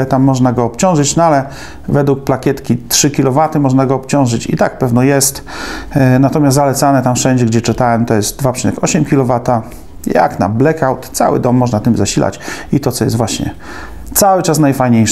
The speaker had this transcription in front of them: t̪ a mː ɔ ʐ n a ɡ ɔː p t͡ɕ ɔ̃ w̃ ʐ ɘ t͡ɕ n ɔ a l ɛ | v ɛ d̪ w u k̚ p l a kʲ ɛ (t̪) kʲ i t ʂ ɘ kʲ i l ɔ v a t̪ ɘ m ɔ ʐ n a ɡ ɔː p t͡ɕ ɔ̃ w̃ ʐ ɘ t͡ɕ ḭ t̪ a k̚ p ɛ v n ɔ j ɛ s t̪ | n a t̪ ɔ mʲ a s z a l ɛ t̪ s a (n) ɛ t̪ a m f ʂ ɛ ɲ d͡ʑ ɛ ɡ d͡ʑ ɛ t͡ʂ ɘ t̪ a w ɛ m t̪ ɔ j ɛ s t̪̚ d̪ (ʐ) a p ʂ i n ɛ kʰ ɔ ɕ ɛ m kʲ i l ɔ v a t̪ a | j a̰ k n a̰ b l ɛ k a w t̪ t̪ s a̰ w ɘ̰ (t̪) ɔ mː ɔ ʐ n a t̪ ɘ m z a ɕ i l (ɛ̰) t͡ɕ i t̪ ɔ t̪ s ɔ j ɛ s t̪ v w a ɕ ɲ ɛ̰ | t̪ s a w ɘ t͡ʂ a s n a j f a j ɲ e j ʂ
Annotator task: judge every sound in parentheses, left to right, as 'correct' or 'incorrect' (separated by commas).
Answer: correct, correct, incorrect, incorrect, incorrect